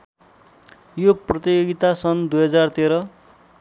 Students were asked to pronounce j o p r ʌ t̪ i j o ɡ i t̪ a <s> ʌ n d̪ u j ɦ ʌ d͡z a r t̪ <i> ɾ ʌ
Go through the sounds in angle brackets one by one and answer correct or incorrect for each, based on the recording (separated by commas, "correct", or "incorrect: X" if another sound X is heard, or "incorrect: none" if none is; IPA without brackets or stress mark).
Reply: correct, incorrect: e